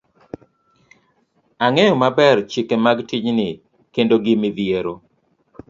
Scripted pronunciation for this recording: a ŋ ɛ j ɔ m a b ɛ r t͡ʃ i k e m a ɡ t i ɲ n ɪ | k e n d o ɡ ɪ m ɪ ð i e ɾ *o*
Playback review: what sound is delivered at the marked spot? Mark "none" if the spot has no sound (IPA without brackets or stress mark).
o